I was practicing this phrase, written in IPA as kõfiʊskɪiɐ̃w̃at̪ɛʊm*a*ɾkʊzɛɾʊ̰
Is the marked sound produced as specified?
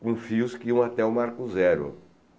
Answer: yes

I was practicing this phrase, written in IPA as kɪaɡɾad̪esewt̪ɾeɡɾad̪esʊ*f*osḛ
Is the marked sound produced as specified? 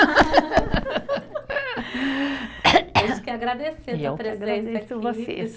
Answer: no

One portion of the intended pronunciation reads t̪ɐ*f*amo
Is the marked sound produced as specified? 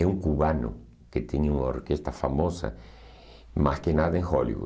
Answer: yes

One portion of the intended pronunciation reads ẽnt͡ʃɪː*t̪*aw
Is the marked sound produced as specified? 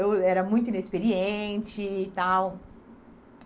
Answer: yes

